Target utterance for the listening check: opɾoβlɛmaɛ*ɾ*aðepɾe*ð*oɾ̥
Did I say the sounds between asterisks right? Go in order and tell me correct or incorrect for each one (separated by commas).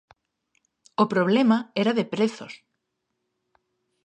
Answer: correct, incorrect